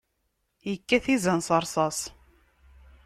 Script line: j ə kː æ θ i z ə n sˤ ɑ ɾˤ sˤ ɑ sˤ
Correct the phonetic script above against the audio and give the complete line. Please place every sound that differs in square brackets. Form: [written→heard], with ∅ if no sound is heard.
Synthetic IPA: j ə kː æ θ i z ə n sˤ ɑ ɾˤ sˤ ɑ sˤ